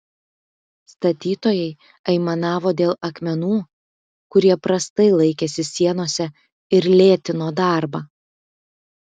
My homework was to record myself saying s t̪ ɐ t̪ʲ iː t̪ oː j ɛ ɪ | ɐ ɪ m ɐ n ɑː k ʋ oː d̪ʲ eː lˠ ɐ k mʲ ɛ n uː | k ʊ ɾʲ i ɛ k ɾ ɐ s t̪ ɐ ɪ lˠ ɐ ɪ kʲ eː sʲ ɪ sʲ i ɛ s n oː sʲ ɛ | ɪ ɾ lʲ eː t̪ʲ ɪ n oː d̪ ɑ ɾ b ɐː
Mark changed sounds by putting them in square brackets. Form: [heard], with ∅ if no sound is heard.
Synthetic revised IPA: s t̪ ɐ t̪ʲ iː t̪ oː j ɛ ɪ | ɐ ɪ m ɐ n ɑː [∅] ʋ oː d̪ʲ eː lˠ ɐ k mʲ ɛ n uː | k ʊ ɾʲ i ɛ [p] ɾ ɐ s t̪ ɐ ɪ lˠ ɐ ɪ kʲ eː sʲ ɪ sʲ i ɛ [∅] n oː sʲ ɛ | ɪ ɾ lʲ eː t̪ʲ ɪ n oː d̪ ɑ ɾ b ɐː